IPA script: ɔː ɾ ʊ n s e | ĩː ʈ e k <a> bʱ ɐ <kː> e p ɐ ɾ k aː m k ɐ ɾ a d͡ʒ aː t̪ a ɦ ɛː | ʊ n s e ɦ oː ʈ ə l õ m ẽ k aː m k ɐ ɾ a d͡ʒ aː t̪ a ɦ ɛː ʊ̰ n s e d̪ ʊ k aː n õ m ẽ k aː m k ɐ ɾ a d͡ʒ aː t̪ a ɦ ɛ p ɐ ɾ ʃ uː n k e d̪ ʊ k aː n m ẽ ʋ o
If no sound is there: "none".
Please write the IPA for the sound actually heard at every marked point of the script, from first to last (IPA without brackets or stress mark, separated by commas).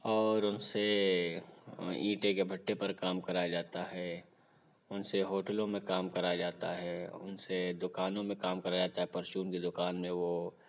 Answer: e, ʈː